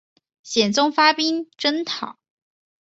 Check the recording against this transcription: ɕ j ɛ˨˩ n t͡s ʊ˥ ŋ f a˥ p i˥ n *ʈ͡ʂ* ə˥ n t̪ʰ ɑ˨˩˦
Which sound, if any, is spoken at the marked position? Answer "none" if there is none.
ʈ͡ʂ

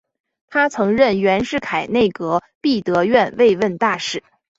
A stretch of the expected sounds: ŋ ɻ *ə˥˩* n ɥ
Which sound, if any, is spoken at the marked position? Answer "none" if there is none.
ə˥˩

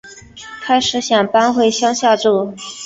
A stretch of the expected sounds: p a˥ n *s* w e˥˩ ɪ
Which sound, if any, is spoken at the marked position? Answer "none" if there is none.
x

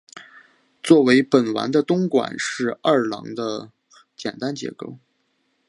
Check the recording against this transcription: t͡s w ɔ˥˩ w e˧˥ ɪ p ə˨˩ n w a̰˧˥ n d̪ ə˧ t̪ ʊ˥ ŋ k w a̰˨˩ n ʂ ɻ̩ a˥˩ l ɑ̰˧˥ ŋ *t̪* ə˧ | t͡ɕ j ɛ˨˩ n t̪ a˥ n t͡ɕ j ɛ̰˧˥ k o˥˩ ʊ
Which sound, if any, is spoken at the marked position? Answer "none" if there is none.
d̪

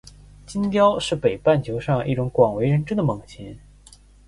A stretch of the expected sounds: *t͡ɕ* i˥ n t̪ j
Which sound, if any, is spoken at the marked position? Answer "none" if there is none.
t͡ɕ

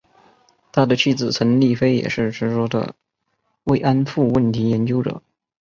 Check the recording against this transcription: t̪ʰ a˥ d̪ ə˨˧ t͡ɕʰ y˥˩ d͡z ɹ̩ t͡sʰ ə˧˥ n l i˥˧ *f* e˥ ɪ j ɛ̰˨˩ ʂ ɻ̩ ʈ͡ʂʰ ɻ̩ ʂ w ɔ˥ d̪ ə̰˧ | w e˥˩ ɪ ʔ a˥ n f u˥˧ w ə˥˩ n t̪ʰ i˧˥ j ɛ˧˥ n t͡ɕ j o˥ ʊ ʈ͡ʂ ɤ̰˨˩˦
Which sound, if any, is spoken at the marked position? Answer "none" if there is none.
f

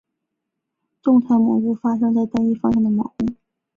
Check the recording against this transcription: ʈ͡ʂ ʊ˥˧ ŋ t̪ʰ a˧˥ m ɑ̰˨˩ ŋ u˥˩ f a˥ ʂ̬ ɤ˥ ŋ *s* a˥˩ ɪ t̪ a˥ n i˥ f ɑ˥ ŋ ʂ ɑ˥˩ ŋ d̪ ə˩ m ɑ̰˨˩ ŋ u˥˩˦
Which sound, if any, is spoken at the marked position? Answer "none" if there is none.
t͡s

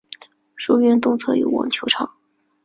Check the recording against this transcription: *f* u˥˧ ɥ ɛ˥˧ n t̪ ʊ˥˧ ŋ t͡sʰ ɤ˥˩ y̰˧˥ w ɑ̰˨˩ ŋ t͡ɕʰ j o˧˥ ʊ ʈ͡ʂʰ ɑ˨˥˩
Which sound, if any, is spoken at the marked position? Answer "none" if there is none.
ʂ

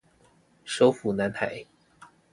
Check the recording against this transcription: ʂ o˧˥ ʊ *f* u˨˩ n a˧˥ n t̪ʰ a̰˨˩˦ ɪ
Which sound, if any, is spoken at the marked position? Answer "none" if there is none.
f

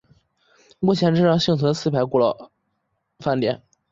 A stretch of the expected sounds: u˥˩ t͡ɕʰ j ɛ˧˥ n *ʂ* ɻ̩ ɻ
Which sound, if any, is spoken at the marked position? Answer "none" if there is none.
ʈ͡ʂ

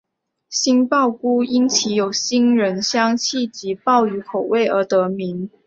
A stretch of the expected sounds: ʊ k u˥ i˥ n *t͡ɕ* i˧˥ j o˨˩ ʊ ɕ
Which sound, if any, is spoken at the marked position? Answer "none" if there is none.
t͡ɕʰ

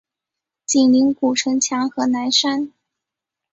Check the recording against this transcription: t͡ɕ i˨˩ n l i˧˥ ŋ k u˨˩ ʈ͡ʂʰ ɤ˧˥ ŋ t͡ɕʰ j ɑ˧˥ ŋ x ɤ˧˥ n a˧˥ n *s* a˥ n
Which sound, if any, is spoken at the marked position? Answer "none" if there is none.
ʂ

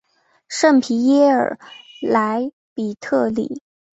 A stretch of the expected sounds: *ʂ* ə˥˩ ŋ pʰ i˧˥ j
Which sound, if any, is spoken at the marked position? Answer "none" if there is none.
ʂ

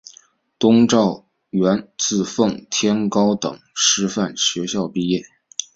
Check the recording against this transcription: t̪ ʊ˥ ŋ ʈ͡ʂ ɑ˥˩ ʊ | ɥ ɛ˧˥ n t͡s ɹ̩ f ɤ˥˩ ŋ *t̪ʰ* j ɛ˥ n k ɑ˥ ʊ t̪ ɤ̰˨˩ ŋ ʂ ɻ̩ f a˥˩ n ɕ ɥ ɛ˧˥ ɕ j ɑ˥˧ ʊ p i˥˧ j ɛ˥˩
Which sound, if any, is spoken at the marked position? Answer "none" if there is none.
t̪ʰ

